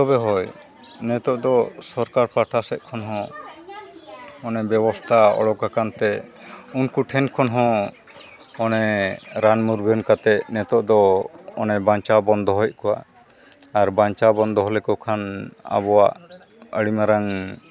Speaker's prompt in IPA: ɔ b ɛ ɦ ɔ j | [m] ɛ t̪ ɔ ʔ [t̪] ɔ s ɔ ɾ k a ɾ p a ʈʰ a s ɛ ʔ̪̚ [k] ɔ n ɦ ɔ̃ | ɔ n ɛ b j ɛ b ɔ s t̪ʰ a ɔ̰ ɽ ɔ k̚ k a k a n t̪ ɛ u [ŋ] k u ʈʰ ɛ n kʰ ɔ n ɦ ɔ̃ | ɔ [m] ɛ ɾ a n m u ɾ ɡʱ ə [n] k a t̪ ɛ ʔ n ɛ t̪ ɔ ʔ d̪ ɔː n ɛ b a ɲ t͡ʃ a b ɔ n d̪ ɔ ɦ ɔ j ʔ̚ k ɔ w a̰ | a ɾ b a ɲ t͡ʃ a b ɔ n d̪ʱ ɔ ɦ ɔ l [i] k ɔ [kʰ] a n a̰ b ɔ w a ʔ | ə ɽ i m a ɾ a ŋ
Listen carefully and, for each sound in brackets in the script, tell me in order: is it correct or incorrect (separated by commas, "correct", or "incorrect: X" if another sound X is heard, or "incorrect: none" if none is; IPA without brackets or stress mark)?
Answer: incorrect: n, incorrect: d̪, incorrect: kʰ, incorrect: n, incorrect: n, correct, incorrect: ɛ, correct